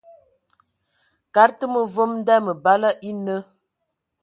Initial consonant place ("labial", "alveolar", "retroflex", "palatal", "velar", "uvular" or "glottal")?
velar